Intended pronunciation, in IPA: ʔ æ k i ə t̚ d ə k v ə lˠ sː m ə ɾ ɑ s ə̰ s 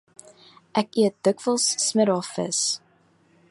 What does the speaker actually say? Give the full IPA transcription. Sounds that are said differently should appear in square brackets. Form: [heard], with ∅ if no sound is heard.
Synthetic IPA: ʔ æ k i ə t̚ d ə k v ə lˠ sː m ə ɾ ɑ [f] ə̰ s